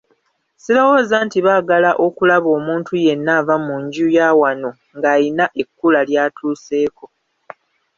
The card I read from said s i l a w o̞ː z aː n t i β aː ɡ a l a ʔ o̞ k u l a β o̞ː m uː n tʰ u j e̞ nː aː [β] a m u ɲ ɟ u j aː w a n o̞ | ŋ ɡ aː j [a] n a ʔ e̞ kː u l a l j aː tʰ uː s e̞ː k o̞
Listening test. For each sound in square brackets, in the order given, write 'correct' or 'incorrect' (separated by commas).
incorrect, incorrect